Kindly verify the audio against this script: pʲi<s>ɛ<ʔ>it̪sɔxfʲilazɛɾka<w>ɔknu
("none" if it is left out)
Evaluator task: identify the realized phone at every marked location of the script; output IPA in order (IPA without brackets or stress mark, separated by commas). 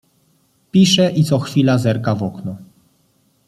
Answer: ʂ, ʔ, v